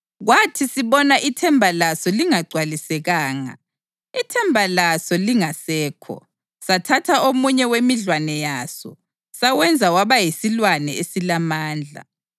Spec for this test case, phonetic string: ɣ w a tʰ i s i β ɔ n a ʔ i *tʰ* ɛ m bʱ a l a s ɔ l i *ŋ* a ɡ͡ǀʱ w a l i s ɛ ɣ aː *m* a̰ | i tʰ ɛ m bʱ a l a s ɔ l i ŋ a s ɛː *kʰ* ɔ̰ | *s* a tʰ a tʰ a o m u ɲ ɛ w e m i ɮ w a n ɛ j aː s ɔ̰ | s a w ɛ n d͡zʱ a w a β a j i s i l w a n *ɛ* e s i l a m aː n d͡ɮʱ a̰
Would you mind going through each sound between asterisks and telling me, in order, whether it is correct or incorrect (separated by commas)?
correct, correct, incorrect, correct, correct, correct